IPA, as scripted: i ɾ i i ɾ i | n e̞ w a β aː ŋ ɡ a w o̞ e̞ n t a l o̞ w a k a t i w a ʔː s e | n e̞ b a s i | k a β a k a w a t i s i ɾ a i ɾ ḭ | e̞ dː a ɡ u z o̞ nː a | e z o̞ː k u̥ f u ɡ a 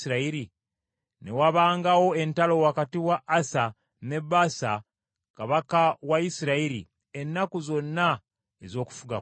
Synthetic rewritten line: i ɾ a i ɾ i | n e̞ w a β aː ŋ ɡ a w o̞ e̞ n t a l o̞ w a k a t i w a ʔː s a | n e̞ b a s a | k a β a k a w a i s i ɾ a i ɾ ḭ | e̞ nː a k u z o̞ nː a | e z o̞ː k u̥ f u ɡ a